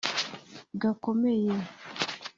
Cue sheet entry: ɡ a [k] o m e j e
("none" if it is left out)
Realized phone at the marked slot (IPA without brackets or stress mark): k